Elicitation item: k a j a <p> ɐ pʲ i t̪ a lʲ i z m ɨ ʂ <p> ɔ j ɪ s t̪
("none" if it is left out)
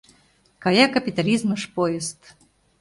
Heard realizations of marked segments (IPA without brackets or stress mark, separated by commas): k, p